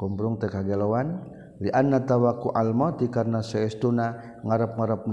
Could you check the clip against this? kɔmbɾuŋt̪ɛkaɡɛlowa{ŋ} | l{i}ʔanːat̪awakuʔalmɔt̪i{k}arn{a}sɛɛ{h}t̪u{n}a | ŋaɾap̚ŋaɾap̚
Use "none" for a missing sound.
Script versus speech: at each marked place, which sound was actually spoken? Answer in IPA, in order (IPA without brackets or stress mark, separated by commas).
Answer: n, i, k, a, s, n